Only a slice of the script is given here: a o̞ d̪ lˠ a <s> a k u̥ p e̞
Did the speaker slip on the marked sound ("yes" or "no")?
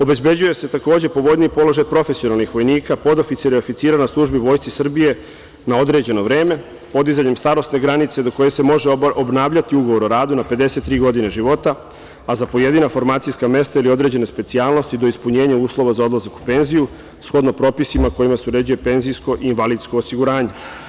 yes